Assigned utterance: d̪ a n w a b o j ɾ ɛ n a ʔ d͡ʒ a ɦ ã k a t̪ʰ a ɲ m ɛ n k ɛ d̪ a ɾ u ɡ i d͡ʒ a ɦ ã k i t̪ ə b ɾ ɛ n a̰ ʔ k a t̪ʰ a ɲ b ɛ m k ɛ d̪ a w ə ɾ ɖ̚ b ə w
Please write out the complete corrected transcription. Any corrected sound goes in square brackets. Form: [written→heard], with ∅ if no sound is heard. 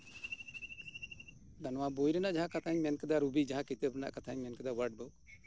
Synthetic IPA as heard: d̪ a n w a b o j ɾ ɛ n a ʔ d͡ʒ a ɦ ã k a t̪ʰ a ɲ m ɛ n k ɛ d̪ a ɾ u [ɡ→b] i d͡ʒ a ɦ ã k i t̪ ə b ɾ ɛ n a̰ ʔ k a t̪ʰ a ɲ [b→m] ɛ [m→n] k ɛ d̪ a w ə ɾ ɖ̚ b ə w